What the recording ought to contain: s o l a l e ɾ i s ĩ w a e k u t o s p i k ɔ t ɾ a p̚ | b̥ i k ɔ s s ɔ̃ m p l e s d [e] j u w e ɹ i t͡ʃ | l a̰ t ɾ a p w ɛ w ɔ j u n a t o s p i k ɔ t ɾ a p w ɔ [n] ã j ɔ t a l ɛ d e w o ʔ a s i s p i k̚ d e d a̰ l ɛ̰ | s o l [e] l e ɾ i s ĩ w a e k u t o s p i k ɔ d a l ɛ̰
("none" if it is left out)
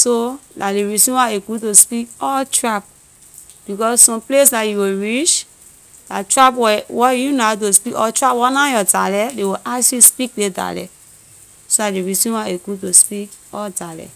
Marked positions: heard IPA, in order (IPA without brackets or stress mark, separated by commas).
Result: a, n, a